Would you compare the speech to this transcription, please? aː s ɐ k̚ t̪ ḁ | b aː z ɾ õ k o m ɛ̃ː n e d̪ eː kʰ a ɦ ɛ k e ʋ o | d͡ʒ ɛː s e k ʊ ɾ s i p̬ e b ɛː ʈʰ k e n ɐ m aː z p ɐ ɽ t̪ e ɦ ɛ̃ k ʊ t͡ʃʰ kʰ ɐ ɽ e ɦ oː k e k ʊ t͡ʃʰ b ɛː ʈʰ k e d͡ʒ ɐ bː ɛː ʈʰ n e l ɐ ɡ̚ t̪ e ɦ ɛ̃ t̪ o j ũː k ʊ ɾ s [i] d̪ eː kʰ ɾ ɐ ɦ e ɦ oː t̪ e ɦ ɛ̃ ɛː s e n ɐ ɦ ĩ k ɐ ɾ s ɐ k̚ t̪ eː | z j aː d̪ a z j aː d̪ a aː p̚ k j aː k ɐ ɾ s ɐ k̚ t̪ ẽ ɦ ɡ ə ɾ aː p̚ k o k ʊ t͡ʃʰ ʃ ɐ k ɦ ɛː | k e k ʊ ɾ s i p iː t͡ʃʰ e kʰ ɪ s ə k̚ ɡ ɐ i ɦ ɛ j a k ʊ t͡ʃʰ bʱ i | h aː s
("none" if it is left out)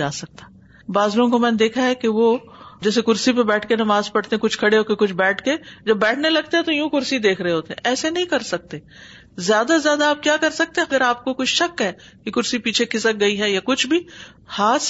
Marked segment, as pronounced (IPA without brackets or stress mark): i